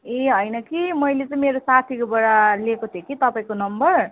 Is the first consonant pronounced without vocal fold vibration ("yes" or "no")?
no